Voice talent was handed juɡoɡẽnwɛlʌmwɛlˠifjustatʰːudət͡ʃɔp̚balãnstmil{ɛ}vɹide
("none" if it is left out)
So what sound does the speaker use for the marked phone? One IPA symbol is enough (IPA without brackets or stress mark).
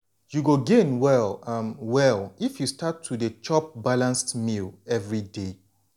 ɛ